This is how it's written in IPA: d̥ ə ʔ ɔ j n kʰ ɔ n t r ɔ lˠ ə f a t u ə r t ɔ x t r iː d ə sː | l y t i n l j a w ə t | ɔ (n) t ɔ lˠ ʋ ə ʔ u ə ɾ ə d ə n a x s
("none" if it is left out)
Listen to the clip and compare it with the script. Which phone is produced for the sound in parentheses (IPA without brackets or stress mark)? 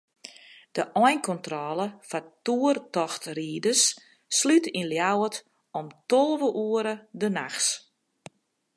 m